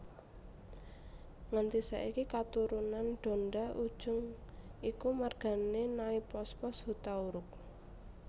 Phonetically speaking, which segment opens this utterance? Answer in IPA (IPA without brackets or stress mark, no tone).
ŋ